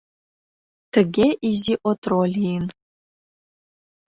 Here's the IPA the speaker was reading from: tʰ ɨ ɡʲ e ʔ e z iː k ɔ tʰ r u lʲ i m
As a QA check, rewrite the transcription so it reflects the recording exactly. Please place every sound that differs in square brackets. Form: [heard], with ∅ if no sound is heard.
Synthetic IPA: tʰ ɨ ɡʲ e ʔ [i] z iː [ʔ] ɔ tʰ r [o] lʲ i [n]